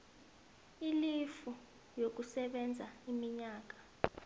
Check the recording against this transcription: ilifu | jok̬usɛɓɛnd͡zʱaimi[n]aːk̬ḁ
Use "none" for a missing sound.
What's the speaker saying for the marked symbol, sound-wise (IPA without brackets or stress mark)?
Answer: ɲ